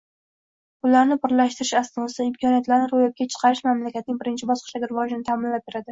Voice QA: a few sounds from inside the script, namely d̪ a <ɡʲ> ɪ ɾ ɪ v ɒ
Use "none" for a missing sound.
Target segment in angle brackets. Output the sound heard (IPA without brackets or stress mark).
ɡʲ